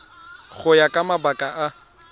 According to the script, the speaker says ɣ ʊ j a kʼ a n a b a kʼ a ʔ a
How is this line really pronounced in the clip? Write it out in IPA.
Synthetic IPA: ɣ ʊ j a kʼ a m a b a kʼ a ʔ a